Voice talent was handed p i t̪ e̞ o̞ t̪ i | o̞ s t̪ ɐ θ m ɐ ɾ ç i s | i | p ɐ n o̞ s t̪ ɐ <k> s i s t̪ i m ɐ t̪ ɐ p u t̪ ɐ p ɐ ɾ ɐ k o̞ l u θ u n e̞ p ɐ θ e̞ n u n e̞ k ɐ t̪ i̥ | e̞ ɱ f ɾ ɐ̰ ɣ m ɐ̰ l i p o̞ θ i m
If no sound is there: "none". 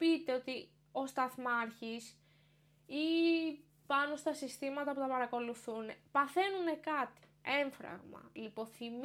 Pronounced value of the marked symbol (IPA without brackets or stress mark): none